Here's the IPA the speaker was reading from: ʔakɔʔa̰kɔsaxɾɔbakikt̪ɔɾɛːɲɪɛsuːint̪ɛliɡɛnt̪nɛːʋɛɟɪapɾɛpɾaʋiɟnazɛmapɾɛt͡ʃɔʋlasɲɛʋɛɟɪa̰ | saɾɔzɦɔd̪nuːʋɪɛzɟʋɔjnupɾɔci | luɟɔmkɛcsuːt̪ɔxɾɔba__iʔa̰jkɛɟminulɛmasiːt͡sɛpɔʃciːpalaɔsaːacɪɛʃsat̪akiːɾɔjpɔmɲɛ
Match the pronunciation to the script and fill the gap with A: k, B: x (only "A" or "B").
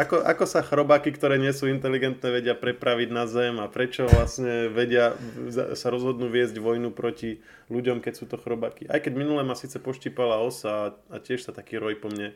A